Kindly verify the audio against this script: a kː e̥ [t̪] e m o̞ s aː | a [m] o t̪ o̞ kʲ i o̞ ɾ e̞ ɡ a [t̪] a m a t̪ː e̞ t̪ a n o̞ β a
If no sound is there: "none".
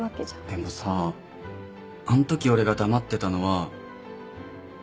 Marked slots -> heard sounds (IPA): d̪, n, d̪

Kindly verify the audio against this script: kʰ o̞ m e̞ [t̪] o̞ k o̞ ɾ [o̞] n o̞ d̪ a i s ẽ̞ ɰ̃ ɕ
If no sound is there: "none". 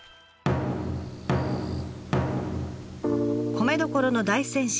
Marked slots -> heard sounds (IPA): d̪, o̞

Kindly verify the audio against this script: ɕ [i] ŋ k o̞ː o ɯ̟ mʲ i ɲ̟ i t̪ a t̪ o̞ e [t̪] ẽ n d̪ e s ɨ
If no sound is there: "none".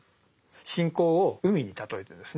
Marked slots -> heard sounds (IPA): ĩ, t̪

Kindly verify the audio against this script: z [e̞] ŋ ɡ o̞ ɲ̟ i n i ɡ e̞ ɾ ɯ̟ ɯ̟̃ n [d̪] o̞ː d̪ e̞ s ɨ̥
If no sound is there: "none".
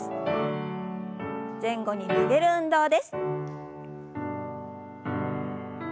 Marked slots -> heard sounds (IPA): ẽ̞, d̪

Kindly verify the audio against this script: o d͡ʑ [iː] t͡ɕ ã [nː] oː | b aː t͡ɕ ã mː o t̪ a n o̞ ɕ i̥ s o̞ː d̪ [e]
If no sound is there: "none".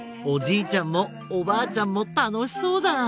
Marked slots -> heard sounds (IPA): iː, mː, a

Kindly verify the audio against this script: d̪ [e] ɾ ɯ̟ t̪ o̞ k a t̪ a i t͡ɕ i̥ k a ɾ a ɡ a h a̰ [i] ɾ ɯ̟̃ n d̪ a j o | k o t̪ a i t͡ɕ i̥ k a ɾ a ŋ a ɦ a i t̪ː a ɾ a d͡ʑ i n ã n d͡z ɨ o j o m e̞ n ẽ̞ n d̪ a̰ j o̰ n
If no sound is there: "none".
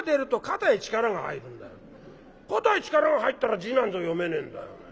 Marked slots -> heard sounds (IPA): e, i

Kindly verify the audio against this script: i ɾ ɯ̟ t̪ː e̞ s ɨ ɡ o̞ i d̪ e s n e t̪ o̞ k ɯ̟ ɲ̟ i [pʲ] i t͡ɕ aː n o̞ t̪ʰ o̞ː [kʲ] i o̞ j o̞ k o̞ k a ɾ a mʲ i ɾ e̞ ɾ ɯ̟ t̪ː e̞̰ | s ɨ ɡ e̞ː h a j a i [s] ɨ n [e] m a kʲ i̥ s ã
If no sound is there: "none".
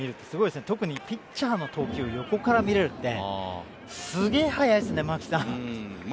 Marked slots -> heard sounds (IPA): pʲ, kʲ, s, e

